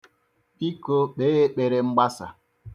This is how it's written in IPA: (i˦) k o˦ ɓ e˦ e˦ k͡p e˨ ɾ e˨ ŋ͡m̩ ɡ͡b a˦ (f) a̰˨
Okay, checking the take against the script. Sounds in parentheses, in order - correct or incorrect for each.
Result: correct, incorrect: s

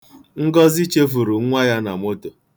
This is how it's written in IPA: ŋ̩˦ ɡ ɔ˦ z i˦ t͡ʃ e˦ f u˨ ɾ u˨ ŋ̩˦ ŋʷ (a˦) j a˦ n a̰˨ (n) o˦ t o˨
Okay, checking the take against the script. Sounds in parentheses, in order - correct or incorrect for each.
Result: correct, incorrect: m

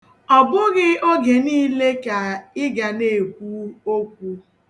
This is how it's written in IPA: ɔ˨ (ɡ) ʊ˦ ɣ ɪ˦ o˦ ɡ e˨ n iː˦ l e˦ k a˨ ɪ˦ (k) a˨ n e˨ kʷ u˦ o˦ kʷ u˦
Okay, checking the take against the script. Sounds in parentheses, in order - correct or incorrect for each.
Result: incorrect: b, incorrect: ɡ

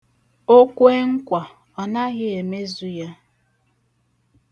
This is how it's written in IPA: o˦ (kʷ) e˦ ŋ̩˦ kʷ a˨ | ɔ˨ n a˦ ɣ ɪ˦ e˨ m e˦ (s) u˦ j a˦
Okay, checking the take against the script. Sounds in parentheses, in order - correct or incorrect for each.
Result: correct, incorrect: z

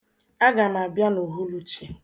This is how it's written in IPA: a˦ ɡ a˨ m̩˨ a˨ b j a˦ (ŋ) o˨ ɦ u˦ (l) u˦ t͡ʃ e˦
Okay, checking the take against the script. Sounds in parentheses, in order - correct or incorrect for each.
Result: incorrect: n, correct

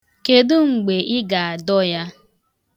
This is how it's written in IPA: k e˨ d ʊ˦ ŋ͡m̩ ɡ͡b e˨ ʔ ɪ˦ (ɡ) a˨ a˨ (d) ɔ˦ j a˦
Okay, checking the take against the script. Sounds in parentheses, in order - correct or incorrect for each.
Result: correct, correct

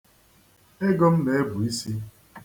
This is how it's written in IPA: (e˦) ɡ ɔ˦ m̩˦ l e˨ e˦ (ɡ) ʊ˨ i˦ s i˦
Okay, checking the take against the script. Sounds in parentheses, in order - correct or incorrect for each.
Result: correct, incorrect: b

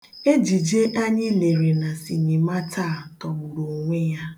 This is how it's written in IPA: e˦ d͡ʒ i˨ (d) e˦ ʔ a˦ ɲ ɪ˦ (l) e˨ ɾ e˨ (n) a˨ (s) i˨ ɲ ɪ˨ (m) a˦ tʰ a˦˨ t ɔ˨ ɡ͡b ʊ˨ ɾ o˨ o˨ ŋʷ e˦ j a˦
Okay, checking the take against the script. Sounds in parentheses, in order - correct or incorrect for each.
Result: incorrect: d͡ʒ, correct, correct, correct, correct

